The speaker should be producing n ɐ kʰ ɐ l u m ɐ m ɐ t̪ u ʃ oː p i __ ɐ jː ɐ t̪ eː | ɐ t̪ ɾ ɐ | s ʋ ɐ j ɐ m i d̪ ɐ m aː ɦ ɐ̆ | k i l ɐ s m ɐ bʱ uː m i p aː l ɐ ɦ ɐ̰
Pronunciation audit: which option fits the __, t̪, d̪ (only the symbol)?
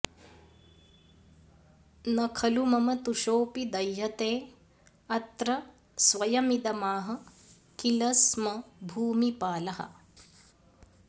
d̪